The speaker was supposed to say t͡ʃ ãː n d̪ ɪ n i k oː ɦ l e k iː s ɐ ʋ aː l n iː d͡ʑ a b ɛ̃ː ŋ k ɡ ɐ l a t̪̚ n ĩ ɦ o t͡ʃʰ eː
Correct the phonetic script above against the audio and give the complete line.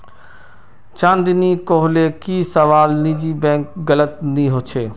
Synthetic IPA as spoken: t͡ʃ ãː n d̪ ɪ n i k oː ɦ l e k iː s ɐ ʋ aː l n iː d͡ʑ i b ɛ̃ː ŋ k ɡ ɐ l ə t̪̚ n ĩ ɦ o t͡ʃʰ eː